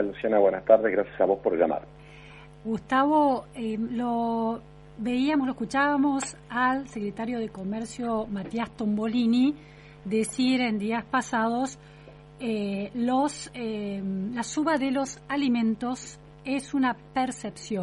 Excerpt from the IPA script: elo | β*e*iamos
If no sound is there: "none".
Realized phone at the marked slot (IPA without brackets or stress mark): e